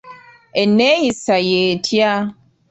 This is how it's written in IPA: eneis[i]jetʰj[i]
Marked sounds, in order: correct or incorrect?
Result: incorrect: a, incorrect: a

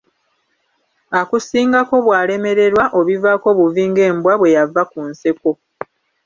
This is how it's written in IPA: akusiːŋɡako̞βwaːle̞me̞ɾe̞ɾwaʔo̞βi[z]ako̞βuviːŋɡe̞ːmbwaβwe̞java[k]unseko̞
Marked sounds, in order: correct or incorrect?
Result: incorrect: v, correct

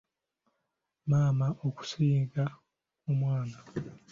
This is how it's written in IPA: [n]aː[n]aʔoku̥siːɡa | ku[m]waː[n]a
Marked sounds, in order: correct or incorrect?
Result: incorrect: m, incorrect: m, correct, correct

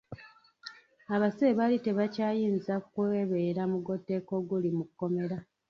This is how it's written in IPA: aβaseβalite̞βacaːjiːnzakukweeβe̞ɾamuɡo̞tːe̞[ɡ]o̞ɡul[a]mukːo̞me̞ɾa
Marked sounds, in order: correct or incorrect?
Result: incorrect: k, incorrect: i

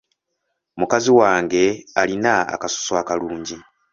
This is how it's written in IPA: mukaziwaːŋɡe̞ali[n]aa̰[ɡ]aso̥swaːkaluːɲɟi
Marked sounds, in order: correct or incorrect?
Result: correct, incorrect: k

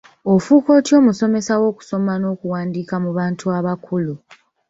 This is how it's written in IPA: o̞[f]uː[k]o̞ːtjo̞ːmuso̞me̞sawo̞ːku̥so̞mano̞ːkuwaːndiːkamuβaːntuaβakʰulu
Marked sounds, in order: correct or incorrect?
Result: correct, correct

